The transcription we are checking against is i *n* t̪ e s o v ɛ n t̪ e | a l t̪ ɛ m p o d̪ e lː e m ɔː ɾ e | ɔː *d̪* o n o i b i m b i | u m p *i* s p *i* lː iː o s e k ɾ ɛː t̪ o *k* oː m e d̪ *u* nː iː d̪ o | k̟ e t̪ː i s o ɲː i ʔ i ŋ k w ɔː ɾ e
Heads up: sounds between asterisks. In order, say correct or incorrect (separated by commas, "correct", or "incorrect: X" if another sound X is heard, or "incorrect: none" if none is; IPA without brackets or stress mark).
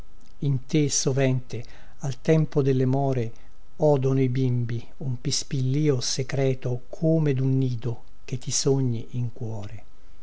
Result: correct, correct, correct, correct, incorrect: kʰ, correct